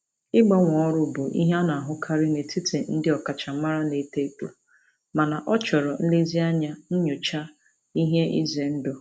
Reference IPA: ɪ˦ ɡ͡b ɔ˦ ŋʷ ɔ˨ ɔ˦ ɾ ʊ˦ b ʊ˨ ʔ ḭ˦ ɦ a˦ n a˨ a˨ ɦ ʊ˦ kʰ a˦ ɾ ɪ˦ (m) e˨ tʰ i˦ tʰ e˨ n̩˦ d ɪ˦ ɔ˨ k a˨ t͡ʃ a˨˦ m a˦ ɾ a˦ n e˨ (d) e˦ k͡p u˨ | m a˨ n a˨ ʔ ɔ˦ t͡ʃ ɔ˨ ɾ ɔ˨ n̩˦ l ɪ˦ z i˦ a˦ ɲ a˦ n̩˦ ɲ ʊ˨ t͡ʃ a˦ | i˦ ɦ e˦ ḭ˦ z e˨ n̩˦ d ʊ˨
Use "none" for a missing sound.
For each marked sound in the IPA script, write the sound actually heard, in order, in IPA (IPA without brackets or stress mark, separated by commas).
n, t